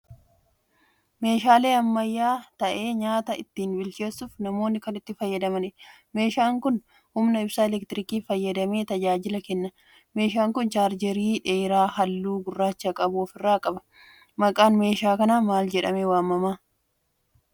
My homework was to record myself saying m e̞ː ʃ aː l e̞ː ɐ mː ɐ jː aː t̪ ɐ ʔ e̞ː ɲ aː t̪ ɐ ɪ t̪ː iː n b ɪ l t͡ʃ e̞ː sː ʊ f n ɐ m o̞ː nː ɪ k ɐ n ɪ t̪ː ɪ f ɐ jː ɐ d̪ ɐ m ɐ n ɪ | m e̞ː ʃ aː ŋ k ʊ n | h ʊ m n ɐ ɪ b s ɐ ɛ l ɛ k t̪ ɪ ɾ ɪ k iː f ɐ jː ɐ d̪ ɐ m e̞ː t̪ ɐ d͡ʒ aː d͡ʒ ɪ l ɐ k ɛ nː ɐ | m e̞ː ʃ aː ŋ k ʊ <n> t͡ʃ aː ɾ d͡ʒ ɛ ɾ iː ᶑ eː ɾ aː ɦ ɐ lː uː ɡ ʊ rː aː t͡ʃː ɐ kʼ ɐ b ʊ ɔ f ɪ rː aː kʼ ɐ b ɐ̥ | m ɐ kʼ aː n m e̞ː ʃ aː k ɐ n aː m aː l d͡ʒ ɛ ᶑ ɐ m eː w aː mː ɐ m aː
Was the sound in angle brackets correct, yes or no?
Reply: yes